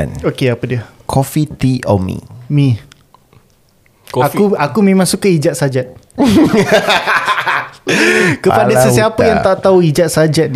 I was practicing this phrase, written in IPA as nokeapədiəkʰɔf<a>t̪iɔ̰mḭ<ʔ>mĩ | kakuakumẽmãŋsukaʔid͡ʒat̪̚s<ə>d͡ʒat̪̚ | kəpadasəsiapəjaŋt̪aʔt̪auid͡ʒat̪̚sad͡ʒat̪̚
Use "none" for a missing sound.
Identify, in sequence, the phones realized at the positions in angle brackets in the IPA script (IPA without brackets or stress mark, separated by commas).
i, none, a